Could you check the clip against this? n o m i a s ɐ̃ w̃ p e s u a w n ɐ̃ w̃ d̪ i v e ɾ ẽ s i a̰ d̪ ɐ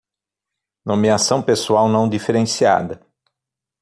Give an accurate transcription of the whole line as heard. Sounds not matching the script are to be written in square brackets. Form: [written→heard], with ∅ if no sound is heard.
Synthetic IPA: n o m i a s ɐ̃ w̃ p e s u a w n ɐ̃ w̃ d̪ i [v→f] e ɾ ẽ s i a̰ d̪ ɐ